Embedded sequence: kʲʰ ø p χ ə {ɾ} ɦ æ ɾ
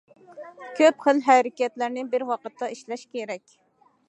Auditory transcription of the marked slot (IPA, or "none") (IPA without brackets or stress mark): l